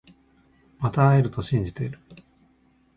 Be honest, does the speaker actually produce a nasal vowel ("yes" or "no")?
yes